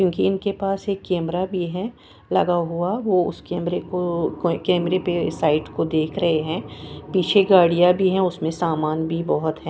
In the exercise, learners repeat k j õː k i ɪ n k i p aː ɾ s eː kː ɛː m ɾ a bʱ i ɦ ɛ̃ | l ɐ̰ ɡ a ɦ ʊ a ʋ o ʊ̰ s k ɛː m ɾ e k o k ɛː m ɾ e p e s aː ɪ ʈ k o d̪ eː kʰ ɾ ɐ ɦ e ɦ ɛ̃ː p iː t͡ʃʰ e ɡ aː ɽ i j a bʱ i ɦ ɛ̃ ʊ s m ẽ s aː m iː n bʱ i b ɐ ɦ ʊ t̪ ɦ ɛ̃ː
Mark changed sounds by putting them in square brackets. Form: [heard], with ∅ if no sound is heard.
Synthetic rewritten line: k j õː k i ɪ n k [e] p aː [∅] s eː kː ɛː m ɾ a bʱ i ɦ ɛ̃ | l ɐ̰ ɡ a ɦ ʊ a ʋ o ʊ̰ s k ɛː m ɾ e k o k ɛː m ɾ e p e s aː ɪ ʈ k o d̪ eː kʰ ɾ ɐ ɦ e ɦ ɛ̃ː p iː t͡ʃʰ e ɡ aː ɽ i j a bʱ i ɦ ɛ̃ ʊ s m ẽ s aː m [aː] n bʱ i b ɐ ɦ ʊ t̪ ɦ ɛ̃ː